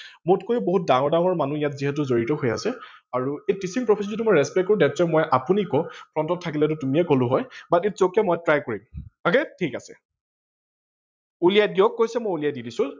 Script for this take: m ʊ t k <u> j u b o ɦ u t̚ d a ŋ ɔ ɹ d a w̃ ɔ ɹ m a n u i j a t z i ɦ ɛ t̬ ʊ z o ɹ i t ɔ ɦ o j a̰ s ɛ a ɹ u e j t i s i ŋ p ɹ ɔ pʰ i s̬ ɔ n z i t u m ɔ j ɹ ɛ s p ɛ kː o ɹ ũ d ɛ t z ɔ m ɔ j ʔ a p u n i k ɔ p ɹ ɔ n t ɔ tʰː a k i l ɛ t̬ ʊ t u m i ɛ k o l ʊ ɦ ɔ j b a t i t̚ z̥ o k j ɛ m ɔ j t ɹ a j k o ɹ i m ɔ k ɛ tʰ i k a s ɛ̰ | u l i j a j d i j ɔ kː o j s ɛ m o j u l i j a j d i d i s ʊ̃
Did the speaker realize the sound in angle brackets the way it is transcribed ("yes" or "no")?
no